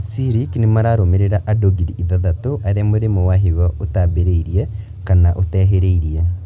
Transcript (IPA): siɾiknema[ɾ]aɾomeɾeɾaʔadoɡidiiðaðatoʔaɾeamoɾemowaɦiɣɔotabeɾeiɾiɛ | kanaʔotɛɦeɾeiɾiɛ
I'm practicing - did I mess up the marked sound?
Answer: no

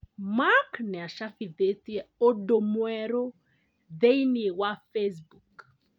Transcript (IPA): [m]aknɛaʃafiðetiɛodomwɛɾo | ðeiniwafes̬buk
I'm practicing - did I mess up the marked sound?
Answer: no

